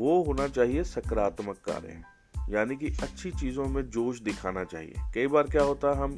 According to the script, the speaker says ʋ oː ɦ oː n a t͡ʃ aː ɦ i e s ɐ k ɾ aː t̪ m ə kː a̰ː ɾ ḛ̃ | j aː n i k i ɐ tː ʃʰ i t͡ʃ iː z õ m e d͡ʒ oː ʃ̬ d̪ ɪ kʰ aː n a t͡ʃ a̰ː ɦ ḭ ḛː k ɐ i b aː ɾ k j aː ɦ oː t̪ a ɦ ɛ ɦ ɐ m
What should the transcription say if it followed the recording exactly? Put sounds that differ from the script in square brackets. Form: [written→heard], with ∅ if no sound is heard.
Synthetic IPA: ʋ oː ɦ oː n a t͡ʃ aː ɦ i e s ɐ k ɾ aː t̪ m ə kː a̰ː ɾ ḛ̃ | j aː n i k i ɐ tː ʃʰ i t͡ʃ iː z õ m [e→ẽ] d͡ʒ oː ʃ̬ d̪ ɪ kʰ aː n a t͡ʃ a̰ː ɦ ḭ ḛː k ɐ i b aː ɾ k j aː ɦ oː t̪ a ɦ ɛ ɦ ɐ m